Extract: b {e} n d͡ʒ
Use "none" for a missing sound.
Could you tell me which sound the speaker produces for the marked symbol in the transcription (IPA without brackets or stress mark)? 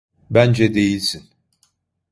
æ